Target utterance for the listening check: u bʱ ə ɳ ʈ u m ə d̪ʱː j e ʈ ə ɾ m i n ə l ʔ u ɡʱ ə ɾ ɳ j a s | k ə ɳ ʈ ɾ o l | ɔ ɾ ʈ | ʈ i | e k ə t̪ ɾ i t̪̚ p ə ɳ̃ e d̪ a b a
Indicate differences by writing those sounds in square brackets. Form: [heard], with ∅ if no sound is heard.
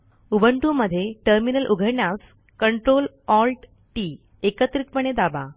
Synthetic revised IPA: u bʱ ə ɳ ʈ u m ə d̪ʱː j e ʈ ə ɾ m i n ə l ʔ u ɡʱ ə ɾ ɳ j a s | k ə ɳ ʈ ɾ o l | ɔ [l] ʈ | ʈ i | e k ə t̪ ɾ i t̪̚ p ə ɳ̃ e d̪ a b a

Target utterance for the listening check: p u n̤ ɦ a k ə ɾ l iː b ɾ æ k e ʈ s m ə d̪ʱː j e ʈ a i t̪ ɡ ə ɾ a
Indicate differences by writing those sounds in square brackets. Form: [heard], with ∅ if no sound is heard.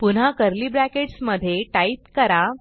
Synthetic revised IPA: p u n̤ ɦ a k ə ɾ l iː b ɾ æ k e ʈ s m ə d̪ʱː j e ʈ a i t̪ [k] ə ɾ a

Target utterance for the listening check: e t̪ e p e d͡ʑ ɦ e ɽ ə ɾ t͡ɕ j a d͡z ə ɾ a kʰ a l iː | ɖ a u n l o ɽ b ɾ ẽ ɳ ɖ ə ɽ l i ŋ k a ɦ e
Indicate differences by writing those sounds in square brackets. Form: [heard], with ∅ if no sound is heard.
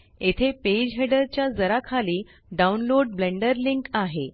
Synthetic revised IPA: e [t̪ʰ] e p e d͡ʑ ɦ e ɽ ə ɾ t͡ɕ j a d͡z ə ɾ a kʰ a l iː | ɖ a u n l o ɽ b [l] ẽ ɳ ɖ ə [ɾ] l i ŋ k a ɦ e

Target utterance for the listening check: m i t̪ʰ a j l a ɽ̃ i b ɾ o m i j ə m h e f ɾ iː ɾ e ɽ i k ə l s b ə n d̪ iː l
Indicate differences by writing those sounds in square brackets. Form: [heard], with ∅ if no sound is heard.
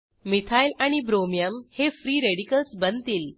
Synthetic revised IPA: m i t̪ʰ a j l a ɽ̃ i b ɾ o m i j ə m h e f ɾ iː ɾ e ɽ i k ə l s b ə n [t̪] iː l

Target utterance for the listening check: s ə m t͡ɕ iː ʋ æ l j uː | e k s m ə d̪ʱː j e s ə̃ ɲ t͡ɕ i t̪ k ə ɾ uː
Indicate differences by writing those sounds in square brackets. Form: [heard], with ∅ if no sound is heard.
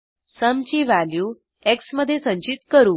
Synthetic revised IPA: s ə m t͡ɕ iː ʋ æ l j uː | e k s m ə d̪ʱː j e s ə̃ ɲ t͡ɕ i t̪ k ə ɾ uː

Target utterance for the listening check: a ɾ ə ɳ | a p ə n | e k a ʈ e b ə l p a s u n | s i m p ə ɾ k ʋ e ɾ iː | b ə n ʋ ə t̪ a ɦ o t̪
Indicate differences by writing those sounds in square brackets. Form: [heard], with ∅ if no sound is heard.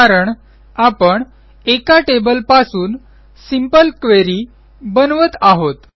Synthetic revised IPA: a ɾ ə ɳ | a p ə [ɳ] | e k a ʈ e b ə l p a s [uː] n | s i m p ə [l] k ʋ e ɾ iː | b ə n ʋ ə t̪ a ɦ o t̪

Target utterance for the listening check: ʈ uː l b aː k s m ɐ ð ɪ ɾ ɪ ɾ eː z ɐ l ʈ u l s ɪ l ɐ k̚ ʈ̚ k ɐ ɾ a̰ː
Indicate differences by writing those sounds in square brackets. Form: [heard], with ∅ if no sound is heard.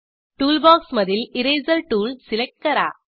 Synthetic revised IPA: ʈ uː l b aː k s m ɐ ð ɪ [l] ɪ ɾ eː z ɐ l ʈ [uː] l s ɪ l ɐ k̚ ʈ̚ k ɐ ɾ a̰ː

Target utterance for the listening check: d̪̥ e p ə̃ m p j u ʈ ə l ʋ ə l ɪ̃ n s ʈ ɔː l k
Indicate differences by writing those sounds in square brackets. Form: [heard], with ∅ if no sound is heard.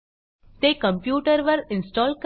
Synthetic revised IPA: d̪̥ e [k] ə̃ m p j [uː] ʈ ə [ɾ] ʋ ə [ɾ] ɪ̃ n s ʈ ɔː l k

